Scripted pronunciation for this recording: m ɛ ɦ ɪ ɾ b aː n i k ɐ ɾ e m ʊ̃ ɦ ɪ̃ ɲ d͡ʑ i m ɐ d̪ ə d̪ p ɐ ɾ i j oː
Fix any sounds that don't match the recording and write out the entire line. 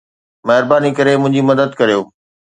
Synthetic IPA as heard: m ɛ ɦ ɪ ɾ b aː n i k ɐ ɾ e m ʊ̃ ɦ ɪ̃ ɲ d͡ʑ i m ɐ d̪ ə d̪ k ɐ ɾ i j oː